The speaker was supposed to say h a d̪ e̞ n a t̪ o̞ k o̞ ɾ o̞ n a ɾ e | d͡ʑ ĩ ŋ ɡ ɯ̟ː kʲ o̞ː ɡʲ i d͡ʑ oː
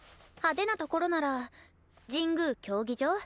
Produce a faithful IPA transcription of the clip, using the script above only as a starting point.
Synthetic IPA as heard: h a d̪ e̞ n a t̪ o̞ k o̞ ɾ o̞ n a ɾ a | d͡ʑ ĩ ŋ ɡ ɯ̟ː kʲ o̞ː ɡʲ i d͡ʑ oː